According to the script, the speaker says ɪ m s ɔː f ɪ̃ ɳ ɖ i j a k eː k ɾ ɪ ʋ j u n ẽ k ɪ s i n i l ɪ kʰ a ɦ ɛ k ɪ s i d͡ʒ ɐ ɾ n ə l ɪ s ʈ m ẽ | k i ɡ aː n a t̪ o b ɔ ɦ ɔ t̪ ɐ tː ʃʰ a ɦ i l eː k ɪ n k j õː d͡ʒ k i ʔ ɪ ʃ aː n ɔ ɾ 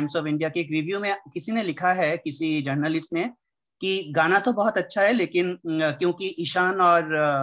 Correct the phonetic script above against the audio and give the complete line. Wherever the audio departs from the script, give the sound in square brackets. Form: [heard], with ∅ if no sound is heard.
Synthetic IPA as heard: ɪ m s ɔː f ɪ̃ ɳ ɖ i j a k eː k ɾ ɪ ʋ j u [m] ẽ k ɪ s i n [e] l ɪ kʰ a ɦ ɛ k ɪ s i d͡ʒ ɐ ɾ n ə l ɪ s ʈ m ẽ | k i ɡ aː n a t̪ o b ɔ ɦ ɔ t̪ ɐ tː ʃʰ a ɦ [ɛ] l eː k ɪ n k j õː [∅] k i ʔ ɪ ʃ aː n [ɔː] ɾ